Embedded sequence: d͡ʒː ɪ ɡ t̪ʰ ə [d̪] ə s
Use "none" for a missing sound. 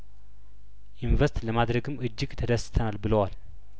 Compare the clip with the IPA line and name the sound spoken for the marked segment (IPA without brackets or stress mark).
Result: d̪